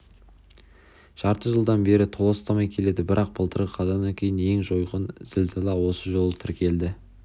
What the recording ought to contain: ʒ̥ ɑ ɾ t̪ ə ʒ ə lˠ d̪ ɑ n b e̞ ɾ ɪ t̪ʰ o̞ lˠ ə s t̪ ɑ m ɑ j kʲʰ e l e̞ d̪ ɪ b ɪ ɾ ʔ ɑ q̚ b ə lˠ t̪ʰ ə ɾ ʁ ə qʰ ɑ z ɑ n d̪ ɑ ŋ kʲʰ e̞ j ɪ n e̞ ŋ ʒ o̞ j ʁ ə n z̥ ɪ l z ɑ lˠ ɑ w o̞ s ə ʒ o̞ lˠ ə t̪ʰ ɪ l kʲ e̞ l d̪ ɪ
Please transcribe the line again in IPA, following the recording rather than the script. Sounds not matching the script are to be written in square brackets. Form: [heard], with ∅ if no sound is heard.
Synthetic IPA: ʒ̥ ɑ ɾ t̪ ə ʒ ə lˠ d̪ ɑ n b e̞ ɾ ɪ t̪ʰ o̞ lˠ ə s t̪ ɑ m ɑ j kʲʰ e l e̞ d̪ ɪ b ɪ ɾ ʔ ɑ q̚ b ə lˠ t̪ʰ ə ɾ ʁ ə qʰ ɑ z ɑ n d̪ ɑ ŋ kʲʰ e̞ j ɪ n e̞ ŋ ʒ o̞ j ʁ ə n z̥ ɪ l z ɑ lˠ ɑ w o̞ s ə ʒ o̞ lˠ ə t̪ʰ ɪ [ɾ] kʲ e̞ l d̪ ɪ